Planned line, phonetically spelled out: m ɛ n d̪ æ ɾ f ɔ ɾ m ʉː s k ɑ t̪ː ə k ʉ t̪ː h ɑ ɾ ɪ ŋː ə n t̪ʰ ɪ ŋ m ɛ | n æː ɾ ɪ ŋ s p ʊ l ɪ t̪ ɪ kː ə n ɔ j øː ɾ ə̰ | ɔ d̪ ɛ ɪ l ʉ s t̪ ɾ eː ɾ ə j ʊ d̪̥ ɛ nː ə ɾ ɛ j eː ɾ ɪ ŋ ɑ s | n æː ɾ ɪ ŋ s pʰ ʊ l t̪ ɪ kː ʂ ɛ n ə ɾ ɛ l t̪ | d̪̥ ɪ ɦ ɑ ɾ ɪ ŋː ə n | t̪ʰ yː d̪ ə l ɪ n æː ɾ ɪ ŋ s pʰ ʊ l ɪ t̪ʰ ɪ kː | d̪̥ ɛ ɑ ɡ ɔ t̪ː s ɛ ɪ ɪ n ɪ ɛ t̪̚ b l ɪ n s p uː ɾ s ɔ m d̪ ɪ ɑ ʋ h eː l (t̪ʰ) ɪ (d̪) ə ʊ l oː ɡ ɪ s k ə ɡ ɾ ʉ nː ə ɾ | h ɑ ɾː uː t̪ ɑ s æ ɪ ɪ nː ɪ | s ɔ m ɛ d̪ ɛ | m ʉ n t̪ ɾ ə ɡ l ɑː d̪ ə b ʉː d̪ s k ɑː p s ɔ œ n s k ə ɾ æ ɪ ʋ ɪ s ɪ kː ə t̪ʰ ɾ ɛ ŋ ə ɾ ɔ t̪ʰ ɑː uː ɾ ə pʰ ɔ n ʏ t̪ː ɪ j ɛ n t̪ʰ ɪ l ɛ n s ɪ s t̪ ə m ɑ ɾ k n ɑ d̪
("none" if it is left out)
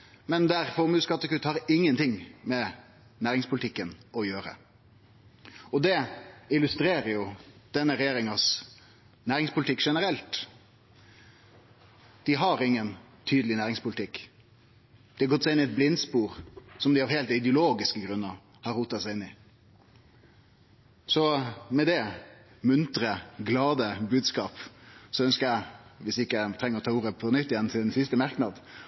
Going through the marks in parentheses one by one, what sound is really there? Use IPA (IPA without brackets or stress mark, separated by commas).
t̪, d̪